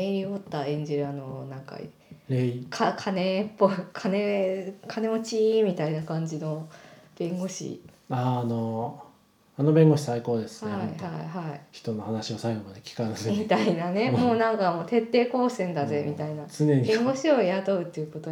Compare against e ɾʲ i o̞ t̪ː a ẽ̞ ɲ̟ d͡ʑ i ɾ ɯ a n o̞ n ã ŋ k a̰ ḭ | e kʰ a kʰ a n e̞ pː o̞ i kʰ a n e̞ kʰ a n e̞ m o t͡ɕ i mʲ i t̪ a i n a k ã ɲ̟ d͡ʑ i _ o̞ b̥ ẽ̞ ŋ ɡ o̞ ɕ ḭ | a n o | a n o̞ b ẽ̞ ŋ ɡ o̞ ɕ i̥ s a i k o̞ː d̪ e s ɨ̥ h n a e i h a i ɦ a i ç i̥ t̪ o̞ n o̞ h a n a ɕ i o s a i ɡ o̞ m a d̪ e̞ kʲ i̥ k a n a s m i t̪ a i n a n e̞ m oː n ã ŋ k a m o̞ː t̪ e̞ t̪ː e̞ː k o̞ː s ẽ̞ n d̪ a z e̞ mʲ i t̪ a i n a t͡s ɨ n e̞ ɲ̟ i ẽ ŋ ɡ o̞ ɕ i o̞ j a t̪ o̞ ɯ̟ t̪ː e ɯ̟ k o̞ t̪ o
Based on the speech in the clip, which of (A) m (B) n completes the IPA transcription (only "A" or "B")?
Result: B